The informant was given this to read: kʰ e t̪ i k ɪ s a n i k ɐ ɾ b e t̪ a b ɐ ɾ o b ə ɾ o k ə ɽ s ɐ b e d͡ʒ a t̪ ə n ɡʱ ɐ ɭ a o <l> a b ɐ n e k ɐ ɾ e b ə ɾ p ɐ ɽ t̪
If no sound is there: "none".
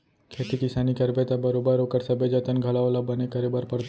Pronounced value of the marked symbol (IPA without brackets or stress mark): l